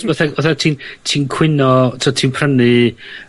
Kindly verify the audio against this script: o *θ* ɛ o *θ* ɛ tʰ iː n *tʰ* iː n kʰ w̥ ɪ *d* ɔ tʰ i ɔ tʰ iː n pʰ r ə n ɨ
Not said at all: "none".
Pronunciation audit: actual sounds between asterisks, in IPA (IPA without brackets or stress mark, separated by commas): θ, θ, tʰ, n